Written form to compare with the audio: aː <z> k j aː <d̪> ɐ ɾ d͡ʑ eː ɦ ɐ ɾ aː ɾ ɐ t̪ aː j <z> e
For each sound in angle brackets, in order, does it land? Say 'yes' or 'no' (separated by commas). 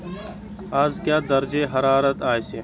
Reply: yes, yes, no